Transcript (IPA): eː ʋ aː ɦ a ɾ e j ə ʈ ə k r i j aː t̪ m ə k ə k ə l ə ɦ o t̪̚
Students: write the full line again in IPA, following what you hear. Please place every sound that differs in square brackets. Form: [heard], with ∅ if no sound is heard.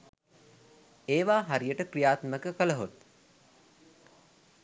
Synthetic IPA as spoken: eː ʋ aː ɦ a ɾ [i] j ə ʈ ə k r i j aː t̪ m ə k ə k ə l ə ɦ o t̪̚